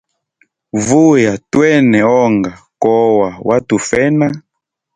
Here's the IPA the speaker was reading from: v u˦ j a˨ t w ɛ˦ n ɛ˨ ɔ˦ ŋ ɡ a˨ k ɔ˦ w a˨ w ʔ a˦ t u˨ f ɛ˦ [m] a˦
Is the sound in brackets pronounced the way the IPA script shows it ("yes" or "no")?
no